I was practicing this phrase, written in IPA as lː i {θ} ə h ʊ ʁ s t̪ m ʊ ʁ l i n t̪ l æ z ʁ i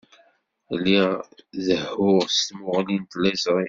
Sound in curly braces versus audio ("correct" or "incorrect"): incorrect